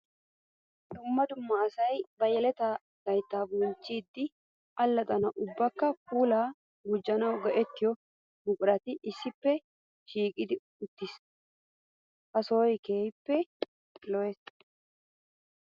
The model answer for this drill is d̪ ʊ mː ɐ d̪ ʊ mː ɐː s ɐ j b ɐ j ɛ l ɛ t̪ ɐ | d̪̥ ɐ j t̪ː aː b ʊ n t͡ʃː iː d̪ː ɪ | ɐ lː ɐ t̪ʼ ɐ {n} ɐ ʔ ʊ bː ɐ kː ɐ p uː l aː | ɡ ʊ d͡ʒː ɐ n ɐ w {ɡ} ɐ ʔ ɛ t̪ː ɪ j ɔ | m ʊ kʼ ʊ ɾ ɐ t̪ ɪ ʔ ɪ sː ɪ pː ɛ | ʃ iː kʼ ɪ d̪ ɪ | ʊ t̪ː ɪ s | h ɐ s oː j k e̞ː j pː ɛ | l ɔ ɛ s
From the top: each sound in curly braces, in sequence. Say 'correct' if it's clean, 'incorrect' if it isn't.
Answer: correct, correct

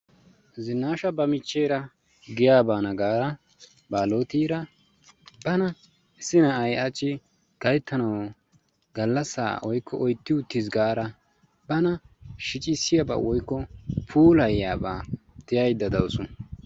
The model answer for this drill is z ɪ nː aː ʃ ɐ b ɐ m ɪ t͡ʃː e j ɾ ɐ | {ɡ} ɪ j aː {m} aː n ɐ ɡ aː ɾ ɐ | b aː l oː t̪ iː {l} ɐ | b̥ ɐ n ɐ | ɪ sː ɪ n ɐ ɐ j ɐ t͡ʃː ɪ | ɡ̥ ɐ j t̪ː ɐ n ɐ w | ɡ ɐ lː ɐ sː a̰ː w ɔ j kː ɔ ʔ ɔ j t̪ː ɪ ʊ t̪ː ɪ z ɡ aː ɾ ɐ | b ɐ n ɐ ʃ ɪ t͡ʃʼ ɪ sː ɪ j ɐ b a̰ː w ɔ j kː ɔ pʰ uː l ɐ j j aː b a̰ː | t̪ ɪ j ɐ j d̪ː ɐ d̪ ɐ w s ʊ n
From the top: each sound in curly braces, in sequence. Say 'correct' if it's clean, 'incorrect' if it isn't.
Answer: correct, incorrect: b, incorrect: ɾ

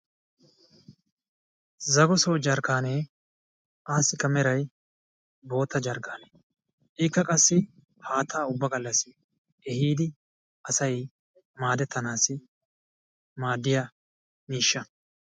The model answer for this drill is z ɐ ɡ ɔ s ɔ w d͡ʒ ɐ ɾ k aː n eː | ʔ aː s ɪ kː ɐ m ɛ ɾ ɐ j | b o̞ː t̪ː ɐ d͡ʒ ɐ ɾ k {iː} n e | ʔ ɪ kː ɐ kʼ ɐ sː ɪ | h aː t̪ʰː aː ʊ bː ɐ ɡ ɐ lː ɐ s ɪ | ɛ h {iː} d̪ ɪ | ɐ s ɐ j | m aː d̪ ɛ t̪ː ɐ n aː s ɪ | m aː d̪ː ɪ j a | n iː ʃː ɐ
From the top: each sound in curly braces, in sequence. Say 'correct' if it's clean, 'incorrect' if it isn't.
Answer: incorrect: aː, correct

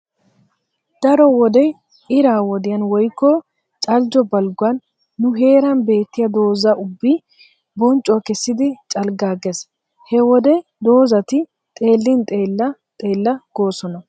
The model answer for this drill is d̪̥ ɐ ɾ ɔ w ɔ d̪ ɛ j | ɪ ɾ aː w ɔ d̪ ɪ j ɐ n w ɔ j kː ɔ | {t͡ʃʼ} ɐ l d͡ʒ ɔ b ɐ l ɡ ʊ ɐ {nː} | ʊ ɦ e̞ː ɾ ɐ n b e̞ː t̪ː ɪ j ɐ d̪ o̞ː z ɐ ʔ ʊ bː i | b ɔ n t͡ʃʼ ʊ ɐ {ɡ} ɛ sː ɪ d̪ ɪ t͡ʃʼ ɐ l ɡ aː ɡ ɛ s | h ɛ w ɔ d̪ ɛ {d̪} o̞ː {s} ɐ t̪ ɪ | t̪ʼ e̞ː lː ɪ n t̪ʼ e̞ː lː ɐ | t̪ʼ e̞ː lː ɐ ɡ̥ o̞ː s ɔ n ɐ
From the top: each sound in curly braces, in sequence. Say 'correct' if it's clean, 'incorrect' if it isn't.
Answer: correct, correct, incorrect: k, correct, incorrect: z

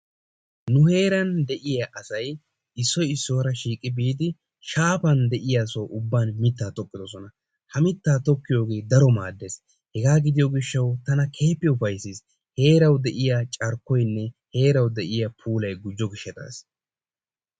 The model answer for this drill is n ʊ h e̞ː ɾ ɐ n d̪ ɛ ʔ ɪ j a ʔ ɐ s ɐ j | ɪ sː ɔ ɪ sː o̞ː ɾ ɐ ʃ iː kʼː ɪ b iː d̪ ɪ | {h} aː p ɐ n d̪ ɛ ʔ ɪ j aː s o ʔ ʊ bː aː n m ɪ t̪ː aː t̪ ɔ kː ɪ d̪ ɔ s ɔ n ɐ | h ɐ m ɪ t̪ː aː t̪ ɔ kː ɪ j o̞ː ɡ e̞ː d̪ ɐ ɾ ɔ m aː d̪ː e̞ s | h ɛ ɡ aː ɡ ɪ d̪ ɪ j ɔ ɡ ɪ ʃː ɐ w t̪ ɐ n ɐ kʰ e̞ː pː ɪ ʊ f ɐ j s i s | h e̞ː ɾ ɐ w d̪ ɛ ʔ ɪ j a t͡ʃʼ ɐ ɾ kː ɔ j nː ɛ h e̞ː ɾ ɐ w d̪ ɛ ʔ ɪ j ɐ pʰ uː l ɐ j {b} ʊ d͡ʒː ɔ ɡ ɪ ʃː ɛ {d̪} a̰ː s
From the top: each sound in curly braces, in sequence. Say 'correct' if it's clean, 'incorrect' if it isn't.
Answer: incorrect: ʃ, incorrect: ɡ, incorrect: t̪

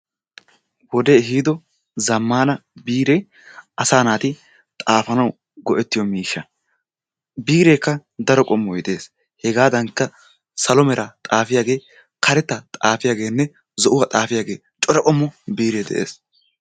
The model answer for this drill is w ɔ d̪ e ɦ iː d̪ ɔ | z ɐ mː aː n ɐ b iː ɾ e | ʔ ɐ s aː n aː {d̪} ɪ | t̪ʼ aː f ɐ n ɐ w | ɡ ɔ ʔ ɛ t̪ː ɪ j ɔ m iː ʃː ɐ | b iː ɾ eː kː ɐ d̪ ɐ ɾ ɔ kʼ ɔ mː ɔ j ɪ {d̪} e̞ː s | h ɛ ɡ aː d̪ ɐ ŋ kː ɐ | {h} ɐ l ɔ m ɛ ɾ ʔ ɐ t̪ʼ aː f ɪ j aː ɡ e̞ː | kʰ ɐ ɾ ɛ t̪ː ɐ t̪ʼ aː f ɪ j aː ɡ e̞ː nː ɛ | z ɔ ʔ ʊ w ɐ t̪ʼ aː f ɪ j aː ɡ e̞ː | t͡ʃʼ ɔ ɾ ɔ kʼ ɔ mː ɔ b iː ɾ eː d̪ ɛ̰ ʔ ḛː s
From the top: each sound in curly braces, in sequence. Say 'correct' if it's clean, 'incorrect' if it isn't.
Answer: incorrect: t̪, correct, incorrect: s

